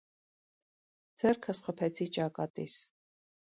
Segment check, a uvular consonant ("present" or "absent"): present